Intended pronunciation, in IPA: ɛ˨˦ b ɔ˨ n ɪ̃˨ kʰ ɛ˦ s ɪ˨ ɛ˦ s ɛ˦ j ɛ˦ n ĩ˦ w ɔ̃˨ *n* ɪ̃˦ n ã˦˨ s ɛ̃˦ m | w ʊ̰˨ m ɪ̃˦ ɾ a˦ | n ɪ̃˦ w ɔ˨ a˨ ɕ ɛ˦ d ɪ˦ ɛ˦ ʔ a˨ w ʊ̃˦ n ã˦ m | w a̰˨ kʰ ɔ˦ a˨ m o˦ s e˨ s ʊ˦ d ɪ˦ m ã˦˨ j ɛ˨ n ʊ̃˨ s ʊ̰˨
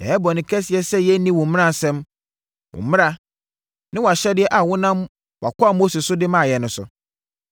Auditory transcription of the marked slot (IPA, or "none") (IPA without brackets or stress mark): m